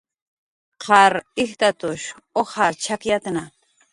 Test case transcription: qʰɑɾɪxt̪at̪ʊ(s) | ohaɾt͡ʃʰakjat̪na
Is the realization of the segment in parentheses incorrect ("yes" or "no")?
yes